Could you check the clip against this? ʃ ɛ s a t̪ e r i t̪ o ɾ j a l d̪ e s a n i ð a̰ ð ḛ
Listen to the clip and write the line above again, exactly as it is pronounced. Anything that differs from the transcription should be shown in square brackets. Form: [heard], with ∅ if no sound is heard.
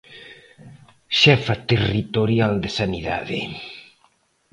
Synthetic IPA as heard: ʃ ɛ [f] a t̪ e r i t̪ o ɾ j a l d̪ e s a n i ð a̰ ð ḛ